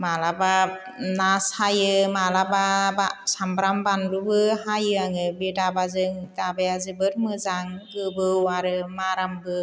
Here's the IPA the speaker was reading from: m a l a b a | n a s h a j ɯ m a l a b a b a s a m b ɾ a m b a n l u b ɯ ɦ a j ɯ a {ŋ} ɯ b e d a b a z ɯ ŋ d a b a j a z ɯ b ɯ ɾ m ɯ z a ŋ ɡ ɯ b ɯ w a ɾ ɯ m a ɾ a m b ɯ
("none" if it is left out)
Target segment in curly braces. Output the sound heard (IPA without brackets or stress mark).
ŋ